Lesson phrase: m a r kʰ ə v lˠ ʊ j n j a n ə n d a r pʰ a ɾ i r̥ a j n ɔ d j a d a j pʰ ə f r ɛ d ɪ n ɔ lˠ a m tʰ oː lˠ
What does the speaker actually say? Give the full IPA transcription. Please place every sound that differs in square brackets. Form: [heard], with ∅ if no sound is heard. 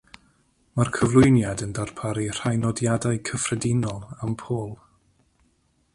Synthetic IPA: m a r kʰ ə v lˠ ʊ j n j a [d] ə n d a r pʰ a ɾ i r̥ a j n ɔ d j a d a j [kʰ] ə f r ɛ d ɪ n ɔ lˠ a m [pʰ] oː lˠ